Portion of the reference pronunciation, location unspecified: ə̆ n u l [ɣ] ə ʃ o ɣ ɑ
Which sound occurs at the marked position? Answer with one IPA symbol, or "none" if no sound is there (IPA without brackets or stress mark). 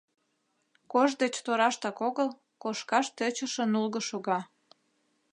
ɣ